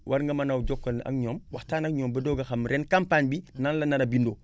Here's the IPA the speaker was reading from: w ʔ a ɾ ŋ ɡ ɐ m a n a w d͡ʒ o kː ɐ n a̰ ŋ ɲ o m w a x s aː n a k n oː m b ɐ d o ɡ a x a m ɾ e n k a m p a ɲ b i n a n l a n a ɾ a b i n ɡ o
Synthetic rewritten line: w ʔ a ɾ ŋ ɡ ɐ m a n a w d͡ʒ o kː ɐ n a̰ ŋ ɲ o m w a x t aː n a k ɲ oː m b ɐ d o ɡ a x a m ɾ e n k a m p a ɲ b i n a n l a n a ɾ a b i n d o

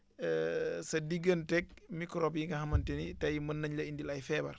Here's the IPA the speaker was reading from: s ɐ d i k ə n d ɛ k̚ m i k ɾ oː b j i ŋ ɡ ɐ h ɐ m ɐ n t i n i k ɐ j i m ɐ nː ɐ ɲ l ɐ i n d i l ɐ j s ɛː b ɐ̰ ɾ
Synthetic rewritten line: s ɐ d i ɡ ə n t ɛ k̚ m i k ɾ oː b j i ŋ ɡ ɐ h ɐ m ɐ n t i n i t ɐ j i m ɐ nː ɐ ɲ l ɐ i n d i l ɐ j f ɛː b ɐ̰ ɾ

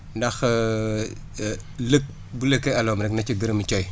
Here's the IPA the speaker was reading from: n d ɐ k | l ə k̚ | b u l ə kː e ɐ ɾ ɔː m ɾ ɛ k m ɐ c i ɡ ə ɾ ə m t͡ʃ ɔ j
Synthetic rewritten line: n d ɐ x | l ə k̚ | b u l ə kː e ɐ l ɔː m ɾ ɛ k n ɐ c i ɡ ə ɾ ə m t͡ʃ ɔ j

